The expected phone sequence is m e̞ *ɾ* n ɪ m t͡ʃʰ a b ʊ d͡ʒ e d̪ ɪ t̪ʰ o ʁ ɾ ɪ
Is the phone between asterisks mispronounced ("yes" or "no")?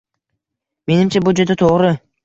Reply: yes